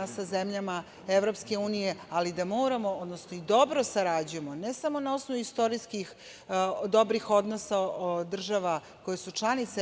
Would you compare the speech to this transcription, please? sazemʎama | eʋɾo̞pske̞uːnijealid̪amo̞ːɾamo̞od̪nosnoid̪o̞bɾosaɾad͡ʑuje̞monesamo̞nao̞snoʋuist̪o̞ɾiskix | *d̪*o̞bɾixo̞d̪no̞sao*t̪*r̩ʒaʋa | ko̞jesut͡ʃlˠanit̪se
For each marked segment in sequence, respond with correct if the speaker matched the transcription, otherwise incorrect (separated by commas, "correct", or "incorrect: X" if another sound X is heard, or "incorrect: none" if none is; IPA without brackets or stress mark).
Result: correct, incorrect: d̪